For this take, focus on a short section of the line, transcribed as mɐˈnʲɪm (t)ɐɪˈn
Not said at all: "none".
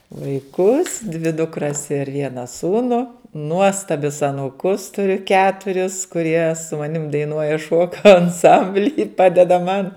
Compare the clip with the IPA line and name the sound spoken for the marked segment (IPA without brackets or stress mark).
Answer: d